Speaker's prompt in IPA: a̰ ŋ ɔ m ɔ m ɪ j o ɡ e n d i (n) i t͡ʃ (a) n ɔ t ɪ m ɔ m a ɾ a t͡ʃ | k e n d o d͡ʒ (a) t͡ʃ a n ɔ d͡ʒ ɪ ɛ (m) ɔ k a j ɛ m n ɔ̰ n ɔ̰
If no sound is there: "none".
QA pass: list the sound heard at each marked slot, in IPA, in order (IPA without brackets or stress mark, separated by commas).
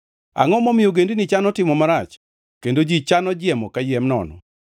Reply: n, a, i, m